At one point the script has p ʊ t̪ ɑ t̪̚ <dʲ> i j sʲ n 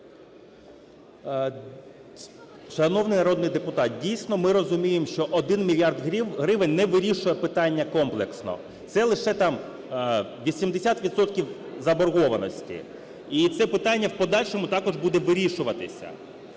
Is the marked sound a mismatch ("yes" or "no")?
no